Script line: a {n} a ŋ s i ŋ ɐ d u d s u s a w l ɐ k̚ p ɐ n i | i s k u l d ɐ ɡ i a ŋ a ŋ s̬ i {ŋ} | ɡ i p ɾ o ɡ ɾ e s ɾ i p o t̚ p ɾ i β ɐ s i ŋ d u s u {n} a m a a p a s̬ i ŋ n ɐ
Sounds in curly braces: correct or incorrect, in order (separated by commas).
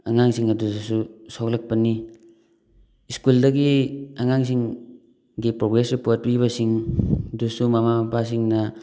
incorrect, correct, incorrect